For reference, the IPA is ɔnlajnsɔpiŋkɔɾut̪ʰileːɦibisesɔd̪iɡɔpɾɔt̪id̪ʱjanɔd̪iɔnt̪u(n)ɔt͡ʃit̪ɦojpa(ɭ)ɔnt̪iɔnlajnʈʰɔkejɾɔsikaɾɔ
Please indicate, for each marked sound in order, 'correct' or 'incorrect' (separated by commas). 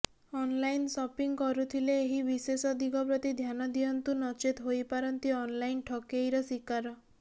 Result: correct, incorrect